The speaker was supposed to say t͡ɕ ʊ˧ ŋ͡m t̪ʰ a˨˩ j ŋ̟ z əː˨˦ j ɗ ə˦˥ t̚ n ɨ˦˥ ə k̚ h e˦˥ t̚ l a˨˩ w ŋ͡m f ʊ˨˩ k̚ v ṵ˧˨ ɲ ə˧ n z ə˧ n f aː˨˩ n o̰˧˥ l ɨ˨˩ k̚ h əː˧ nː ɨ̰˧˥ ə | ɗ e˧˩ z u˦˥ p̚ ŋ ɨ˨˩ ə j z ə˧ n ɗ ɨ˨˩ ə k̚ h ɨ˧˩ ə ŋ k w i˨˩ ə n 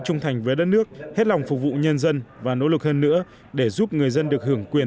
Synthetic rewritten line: t͡ɕ ʊ˧ ŋ͡m t̪ʰ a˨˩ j ŋ̟ v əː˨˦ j ɗ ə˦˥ t̚ n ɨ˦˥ ə k̚ h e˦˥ t̚ l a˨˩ w ŋ͡m f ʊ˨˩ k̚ v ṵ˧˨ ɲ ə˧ n z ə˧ n v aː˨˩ n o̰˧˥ l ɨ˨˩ k̚ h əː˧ nː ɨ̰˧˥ ə | ɗ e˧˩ z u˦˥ p̚ ŋ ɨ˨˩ ə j z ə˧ n ɗ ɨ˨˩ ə k̚ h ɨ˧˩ ə ŋ k w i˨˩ ə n